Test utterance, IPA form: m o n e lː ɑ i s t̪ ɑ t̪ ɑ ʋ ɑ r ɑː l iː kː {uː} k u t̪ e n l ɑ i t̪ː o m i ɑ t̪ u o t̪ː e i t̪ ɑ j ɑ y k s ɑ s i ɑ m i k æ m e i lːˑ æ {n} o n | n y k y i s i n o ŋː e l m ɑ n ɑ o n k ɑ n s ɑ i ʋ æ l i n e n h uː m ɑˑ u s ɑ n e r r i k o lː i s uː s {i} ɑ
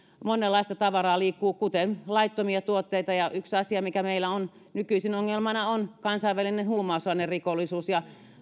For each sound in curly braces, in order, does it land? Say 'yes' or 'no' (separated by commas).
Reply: yes, no, no